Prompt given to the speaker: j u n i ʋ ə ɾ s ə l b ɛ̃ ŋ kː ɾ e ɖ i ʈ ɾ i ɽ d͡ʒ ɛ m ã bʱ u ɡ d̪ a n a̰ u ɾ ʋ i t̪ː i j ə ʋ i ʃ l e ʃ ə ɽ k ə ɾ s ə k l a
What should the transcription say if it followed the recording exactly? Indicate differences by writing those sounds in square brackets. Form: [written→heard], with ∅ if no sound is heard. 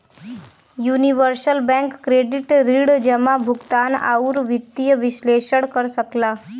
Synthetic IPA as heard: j u n i ʋ ə ɾ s ə l b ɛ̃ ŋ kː ɾ e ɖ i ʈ ɾ i ɽ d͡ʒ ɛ m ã bʱ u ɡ [d̪→t̪] a n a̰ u ɾ ʋ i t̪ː i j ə ʋ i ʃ l e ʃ ə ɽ k ə ɾ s ə k l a